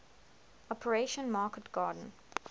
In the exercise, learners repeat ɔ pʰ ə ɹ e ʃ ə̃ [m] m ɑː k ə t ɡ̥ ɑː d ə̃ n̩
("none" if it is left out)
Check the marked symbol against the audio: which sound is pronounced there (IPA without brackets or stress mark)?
n